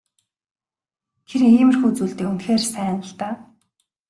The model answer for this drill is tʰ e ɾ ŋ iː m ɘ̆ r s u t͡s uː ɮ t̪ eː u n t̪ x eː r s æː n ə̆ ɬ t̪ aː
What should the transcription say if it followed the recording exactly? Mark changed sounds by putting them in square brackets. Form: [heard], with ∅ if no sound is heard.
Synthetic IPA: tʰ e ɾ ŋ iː m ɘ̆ r [x] u t͡s uː ɮ t̪ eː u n t̪ x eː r s æː n ə̆ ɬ t̪ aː